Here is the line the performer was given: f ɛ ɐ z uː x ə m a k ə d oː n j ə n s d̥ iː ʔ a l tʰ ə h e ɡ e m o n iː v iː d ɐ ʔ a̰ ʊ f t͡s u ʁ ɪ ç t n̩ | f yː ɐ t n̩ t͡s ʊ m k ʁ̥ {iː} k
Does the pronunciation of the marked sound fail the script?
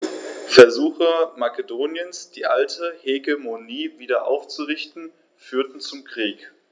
no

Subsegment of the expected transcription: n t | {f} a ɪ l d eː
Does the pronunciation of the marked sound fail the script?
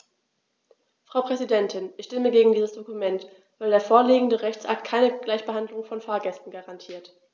yes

